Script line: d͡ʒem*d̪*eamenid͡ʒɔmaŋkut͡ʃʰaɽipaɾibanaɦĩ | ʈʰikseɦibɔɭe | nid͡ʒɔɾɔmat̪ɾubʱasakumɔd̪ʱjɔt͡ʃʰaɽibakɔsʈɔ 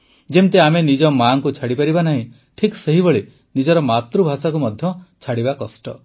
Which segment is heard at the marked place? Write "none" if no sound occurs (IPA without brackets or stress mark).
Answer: t̪